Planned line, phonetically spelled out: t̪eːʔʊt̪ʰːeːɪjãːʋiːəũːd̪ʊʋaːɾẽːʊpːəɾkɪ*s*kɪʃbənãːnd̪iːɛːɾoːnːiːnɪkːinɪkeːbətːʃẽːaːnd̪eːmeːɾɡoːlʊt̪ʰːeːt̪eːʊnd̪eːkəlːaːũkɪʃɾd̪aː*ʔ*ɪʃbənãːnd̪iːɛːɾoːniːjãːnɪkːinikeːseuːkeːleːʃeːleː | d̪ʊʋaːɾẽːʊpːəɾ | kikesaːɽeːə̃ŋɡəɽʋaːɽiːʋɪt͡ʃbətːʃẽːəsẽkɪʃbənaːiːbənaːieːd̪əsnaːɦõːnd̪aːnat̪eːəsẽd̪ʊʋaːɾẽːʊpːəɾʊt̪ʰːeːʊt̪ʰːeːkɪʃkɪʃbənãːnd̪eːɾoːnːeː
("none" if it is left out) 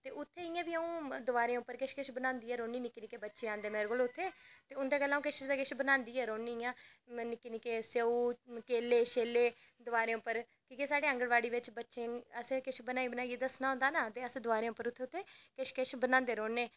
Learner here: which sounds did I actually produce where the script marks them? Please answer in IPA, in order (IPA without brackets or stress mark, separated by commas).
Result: ʃ, k